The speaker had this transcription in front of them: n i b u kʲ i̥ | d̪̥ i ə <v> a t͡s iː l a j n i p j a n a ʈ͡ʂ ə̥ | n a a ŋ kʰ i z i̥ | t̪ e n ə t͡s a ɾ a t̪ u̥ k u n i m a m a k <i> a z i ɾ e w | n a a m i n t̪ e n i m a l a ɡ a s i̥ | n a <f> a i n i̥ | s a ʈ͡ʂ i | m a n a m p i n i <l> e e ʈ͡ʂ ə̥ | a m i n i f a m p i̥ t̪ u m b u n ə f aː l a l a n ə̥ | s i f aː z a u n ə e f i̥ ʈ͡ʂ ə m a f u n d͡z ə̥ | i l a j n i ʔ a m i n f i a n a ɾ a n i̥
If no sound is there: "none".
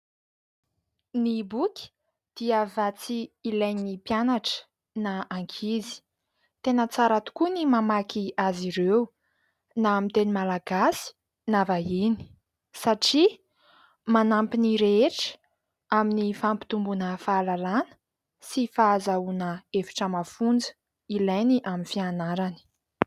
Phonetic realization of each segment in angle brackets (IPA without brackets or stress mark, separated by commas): v, i, v, ɾ